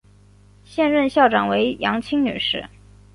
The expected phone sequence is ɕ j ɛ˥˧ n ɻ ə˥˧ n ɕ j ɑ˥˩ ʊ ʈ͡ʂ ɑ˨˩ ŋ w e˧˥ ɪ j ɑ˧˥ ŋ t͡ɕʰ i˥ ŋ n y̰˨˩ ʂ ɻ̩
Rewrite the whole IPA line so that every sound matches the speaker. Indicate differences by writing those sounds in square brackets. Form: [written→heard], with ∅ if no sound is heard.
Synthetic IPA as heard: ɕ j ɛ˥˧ n ɻ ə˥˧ n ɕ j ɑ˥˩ ʊ ʈ͡ʂ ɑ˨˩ ŋ w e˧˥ ɪ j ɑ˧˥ ŋ t͡ɕʰ i˥ ŋ n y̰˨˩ ʂ ɻ̩